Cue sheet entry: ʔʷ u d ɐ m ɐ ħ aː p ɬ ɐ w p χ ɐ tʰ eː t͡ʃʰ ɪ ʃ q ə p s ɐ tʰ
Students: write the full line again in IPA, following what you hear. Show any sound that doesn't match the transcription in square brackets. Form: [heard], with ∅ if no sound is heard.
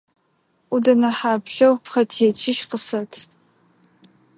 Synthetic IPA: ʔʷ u d ɐ [n] ɐ ħ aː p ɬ ɐ w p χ ɐ tʰ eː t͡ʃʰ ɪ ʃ q ə [∅] s ɐ tʰ